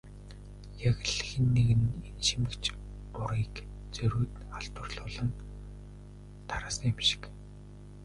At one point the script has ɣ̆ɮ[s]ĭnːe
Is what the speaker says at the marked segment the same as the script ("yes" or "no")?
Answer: no